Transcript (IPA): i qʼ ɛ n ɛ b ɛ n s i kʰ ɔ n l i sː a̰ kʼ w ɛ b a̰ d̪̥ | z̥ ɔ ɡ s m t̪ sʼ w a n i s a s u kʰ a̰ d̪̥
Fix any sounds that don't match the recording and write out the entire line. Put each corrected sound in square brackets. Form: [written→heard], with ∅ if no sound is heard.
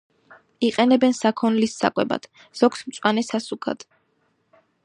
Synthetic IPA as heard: i qʼ ɛ n ɛ b ɛ n s [i→a] kʰ ɔ n l i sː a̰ kʼ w ɛ b a̰ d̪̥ | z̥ ɔ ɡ s m t̪ sʼ w a n [i→ɛ] s a s u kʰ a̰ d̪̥